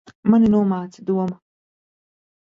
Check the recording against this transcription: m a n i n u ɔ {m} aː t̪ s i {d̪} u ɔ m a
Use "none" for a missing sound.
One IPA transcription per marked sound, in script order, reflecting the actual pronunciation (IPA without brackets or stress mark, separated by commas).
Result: m, d̪